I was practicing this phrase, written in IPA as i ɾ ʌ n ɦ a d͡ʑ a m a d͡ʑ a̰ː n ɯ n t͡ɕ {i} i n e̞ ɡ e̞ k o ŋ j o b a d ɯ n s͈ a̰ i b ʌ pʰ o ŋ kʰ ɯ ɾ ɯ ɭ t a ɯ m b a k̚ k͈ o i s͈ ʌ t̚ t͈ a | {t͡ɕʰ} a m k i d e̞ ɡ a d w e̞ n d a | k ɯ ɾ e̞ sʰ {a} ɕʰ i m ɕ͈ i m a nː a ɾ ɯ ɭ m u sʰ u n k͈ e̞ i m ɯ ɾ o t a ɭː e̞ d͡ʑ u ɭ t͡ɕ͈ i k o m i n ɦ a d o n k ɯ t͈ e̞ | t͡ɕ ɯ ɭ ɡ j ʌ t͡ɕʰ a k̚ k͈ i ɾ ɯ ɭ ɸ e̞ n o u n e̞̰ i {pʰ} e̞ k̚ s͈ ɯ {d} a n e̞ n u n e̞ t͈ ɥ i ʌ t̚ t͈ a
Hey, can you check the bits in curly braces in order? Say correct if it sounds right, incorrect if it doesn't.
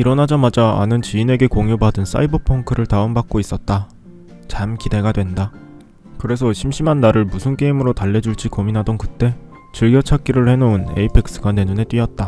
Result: correct, incorrect: t͡ɕ, incorrect: ʌ, correct, incorrect: ɡ

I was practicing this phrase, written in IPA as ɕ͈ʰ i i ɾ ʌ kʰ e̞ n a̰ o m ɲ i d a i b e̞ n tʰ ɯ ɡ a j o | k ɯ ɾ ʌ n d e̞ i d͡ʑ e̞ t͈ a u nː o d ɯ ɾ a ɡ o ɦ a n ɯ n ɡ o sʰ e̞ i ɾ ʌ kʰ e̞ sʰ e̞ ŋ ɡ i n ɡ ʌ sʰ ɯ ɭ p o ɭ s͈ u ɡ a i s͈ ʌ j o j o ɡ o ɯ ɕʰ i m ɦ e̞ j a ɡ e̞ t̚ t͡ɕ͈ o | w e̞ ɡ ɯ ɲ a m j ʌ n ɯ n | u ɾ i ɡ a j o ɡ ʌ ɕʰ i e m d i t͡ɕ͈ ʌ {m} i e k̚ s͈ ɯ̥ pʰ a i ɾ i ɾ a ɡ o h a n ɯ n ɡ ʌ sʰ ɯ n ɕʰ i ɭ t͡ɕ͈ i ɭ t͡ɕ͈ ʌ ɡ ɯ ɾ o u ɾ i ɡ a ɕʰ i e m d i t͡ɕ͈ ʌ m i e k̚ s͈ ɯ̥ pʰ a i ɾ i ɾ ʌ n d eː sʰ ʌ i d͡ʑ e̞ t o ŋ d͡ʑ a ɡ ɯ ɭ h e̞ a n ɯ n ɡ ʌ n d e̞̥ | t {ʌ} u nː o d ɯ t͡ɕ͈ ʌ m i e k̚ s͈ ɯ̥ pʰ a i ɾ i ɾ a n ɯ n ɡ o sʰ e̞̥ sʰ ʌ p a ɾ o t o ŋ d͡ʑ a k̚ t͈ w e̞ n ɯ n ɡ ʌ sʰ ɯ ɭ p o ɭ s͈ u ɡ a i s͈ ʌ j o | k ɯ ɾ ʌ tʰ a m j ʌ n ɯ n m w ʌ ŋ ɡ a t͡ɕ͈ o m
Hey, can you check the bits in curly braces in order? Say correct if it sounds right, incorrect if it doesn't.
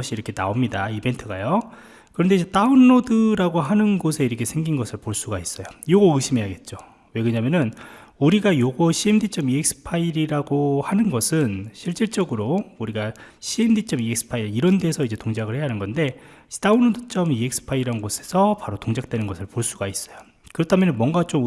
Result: correct, incorrect: a

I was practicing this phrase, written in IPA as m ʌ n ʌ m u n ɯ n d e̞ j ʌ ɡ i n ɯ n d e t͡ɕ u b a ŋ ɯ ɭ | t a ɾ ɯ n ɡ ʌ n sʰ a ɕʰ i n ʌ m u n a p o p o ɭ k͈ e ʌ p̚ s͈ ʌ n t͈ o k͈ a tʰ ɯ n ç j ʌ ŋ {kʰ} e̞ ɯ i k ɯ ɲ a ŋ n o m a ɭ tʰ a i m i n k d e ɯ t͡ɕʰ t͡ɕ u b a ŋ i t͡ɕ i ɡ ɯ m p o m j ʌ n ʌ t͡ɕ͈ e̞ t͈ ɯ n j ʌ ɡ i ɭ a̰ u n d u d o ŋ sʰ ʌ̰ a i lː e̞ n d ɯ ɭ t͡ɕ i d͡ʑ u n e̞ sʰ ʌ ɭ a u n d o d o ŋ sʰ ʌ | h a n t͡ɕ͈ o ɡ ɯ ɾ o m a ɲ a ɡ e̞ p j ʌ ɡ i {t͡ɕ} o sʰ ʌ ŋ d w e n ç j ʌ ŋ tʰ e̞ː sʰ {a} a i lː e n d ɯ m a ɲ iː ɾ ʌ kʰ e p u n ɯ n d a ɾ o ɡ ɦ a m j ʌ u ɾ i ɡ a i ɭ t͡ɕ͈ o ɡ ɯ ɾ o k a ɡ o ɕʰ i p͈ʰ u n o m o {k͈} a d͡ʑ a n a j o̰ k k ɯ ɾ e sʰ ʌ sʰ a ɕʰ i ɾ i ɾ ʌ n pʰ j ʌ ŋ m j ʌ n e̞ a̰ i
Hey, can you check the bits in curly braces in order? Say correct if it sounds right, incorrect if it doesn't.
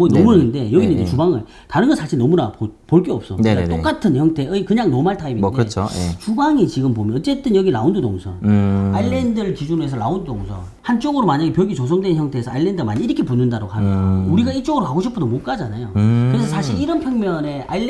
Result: incorrect: tʰ, correct, incorrect: ʌ, correct

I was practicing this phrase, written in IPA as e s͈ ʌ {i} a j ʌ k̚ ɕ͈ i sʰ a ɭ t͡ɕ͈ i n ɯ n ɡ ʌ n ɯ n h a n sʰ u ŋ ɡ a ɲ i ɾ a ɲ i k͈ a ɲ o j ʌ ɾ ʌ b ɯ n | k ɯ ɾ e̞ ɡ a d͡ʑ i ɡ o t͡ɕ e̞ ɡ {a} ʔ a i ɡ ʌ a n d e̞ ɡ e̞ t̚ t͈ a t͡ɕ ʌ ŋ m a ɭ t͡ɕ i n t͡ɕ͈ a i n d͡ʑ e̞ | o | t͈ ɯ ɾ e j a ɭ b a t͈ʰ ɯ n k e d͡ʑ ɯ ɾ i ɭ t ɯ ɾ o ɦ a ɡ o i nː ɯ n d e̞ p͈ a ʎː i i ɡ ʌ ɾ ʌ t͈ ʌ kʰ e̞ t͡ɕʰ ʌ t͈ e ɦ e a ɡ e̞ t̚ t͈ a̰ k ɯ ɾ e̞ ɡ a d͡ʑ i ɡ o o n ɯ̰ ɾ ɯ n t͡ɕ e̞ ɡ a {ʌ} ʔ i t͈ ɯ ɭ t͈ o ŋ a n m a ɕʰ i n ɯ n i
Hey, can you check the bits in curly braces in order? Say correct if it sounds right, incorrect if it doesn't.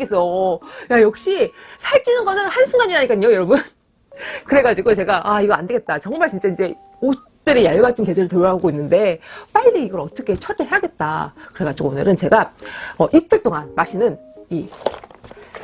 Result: incorrect: j, correct, correct

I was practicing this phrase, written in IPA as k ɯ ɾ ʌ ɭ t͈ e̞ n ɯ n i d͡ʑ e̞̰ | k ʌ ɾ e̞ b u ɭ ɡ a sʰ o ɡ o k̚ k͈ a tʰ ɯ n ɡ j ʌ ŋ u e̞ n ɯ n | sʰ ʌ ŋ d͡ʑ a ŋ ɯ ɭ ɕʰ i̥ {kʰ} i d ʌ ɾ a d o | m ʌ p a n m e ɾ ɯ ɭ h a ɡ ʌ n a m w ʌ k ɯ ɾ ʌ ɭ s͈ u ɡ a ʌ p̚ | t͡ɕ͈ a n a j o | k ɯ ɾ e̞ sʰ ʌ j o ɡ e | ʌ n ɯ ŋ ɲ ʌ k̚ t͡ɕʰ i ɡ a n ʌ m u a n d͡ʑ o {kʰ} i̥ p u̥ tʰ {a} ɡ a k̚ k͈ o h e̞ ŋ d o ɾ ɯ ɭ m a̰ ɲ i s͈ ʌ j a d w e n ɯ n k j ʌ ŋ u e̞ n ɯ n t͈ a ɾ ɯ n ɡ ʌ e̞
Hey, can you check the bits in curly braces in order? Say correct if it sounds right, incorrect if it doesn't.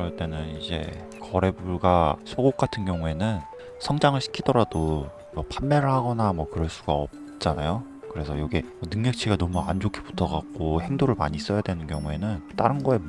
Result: correct, correct, incorrect: ʌ

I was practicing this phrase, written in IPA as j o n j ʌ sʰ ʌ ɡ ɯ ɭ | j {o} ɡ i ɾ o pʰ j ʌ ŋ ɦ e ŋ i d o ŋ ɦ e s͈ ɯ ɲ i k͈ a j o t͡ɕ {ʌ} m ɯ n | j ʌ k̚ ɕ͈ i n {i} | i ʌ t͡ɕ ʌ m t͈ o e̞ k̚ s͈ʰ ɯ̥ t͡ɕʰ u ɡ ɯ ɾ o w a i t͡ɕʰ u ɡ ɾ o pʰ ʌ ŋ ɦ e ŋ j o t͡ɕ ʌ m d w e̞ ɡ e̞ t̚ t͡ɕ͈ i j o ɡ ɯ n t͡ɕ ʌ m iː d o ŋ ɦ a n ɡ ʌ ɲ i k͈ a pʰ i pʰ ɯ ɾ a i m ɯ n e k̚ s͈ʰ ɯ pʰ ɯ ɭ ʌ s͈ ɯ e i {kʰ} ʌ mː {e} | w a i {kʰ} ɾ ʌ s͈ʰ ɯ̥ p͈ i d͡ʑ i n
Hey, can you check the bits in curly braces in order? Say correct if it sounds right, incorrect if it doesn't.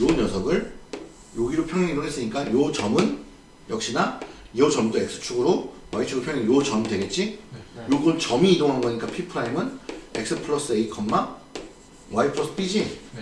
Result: correct, correct, incorrect: a, correct, incorrect: a, incorrect: pʰ

